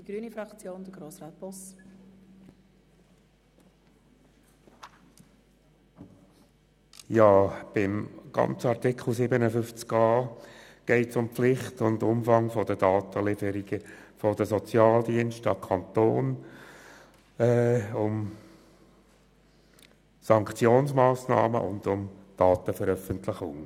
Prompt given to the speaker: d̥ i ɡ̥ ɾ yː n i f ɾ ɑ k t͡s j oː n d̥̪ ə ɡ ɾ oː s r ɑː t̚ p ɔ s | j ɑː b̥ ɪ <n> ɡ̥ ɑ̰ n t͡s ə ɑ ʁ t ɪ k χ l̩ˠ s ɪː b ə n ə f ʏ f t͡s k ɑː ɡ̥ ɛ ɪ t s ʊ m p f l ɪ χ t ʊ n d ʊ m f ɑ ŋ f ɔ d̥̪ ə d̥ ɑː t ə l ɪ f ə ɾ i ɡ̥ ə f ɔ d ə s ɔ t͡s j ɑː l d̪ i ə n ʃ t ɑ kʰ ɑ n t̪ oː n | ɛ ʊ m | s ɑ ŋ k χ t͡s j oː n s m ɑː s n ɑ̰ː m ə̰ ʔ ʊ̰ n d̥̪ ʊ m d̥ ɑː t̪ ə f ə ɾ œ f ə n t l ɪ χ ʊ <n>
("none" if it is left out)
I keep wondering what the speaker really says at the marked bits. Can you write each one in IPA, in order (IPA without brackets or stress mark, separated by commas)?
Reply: m, ŋ